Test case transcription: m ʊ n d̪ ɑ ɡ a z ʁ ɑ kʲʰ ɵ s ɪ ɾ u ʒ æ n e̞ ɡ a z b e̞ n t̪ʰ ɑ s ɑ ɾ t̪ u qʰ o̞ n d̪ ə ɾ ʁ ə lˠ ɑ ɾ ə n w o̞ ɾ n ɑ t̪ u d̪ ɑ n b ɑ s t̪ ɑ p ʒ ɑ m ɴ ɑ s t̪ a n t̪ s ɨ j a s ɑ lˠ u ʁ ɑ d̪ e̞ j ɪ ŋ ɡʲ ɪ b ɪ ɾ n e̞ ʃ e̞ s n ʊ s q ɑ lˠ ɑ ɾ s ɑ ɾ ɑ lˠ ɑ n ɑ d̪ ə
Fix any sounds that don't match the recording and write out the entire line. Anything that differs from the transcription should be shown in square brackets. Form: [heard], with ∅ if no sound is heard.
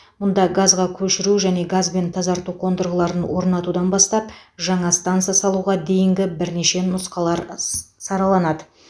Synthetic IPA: m ʊ n d̪ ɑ ɡ a z ʁ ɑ kʲʰ ɵ [ʃ] ɪ ɾ u ʒ æ n e̞ ɡ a z b e̞ n t̪ʰ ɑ [z] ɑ ɾ t̪ u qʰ o̞ n d̪ ə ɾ ʁ ə lˠ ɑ ɾ ə n w o̞ ɾ n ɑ t̪ u d̪ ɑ n b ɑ s t̪ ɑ p ʒ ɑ [∅] ɴ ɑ s t̪ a n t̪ s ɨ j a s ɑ lˠ u ʁ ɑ d̪ e̞ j ɪ ŋ ɡʲ ɪ b ɪ ɾ n e̞ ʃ e̞ [∅] n ʊ s q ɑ lˠ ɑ ɾ s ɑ ɾ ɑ lˠ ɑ n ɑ d̪ ə